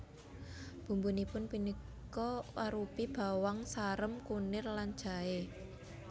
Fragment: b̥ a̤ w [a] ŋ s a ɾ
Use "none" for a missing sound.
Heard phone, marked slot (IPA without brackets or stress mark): a